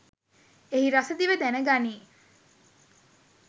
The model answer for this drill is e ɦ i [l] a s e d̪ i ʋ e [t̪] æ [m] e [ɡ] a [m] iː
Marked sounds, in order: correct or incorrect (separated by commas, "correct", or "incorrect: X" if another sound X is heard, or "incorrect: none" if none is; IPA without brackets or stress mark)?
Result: incorrect: ɾ, incorrect: d̪, incorrect: n, correct, incorrect: n